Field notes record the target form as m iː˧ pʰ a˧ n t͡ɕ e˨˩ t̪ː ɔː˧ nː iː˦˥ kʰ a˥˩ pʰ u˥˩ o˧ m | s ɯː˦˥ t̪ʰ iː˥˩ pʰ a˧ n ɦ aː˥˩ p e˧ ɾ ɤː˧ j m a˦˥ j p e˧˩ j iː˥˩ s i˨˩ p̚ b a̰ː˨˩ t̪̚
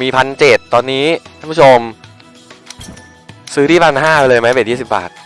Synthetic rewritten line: m iː˧ pʰ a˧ n t͡ɕ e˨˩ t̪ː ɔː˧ nː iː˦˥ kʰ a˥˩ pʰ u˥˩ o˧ m | s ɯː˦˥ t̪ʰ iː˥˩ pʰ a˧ n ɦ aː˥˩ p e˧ l ɤː˧ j m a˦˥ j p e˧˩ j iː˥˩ s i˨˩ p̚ b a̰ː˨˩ t̪̚

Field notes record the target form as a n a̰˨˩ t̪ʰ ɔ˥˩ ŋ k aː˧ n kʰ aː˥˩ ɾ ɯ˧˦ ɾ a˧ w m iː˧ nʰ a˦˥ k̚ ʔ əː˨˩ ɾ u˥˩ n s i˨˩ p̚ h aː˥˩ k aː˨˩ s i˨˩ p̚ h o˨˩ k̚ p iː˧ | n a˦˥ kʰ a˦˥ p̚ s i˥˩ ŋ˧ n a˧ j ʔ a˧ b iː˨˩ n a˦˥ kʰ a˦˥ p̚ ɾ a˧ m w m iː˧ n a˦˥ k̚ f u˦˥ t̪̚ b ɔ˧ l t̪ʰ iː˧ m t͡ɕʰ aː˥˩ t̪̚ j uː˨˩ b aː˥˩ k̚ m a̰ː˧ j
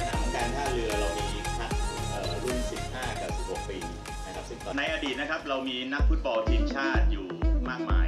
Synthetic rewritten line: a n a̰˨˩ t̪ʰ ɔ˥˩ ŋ k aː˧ n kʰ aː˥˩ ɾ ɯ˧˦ ɾ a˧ w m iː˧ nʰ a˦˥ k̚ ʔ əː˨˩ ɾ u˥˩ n s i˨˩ p̚ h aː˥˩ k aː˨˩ s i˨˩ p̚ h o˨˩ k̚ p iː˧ | n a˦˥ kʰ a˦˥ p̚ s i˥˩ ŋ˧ n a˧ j ʔ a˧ d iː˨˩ n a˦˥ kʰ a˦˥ p̚ ɾ a˧ w m iː˧ n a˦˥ k̚ f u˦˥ t̪̚ b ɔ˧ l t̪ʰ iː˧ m t͡ɕʰ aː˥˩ t̪̚ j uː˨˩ m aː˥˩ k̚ m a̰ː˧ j

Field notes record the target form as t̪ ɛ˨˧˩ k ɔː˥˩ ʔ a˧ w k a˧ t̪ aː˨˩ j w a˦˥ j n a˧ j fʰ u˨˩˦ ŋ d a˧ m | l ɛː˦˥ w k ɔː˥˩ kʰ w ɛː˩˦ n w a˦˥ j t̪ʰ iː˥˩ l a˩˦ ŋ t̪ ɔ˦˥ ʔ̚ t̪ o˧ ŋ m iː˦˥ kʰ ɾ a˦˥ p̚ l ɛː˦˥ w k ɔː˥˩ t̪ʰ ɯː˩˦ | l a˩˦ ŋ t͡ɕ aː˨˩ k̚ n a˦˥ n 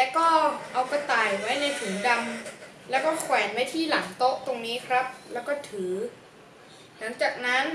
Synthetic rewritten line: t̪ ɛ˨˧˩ k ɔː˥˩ ʔ a˧ w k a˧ t̪ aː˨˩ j w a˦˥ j n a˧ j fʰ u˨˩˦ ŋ d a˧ m | l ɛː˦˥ w k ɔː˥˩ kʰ w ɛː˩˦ n w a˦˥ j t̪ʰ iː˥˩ l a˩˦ ŋ t̪ o˦˥ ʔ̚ t̪ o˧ ŋ n iː˦˥ kʰ ɾ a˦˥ p̚ l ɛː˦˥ w k ɔː˥˩ t̪ʰ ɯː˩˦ | l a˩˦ ŋ t͡ɕ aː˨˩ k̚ n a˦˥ n

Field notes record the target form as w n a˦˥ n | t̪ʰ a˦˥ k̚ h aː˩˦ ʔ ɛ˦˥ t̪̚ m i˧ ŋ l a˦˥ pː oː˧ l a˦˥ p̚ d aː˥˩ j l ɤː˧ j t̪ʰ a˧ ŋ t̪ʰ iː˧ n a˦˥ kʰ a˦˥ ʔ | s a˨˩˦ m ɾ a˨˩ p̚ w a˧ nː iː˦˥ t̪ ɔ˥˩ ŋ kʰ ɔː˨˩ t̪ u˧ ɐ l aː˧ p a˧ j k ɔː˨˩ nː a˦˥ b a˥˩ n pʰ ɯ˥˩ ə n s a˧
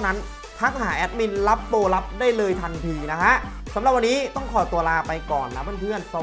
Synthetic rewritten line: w n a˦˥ n | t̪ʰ a˦˥ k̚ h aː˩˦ ʔ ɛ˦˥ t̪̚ m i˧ n l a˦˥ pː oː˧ l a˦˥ p̚ d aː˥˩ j l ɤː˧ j t̪ʰ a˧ n t̪ʰ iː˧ n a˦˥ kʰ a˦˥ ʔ | s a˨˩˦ m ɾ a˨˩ p̚ w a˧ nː iː˦˥ t̪ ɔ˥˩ ŋ kʰ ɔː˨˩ t̪ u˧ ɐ l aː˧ p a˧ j k ɔː˨˩ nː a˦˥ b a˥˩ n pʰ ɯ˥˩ ə n s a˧

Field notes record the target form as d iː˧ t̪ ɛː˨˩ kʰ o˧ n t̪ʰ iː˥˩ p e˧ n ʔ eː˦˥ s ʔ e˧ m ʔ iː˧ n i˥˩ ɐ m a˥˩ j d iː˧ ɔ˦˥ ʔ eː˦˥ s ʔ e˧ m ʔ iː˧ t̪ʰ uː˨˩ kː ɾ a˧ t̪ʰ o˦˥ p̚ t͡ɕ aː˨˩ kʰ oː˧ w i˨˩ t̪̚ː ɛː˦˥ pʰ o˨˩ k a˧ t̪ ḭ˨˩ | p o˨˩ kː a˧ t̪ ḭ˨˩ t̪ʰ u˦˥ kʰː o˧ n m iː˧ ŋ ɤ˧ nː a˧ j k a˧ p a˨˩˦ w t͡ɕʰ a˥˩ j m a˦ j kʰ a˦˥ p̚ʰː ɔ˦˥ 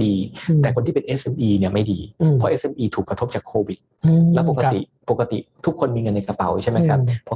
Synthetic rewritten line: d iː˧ t̪ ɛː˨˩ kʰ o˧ n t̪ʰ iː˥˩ p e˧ n ʔ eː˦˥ s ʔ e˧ m ʔ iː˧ n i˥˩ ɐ m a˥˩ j d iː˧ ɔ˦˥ ʔ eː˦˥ s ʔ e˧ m ʔ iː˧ t̪ʰ uː˨˩ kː ɾ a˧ t̪ʰ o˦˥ p̚ t͡ɕ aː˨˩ kʰ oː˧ w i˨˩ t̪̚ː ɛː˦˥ p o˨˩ k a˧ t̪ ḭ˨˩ | p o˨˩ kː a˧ t̪ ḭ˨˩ t̪ʰ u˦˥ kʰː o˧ n m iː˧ ŋ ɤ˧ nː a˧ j k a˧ p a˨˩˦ w t͡ɕʰ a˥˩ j m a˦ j kʰ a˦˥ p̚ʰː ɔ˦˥

